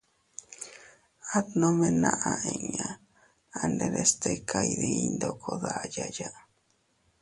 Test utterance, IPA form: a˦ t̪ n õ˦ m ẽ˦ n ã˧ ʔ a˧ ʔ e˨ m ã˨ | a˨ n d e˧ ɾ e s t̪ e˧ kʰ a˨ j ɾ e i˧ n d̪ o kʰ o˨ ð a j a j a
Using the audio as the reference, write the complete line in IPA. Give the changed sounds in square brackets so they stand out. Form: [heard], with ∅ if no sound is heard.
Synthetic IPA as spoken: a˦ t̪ n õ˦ m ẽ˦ n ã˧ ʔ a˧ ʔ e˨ [ɲ] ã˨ | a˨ n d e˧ ɾ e s t̪ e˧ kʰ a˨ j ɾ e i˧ n d̪ o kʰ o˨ ð a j a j a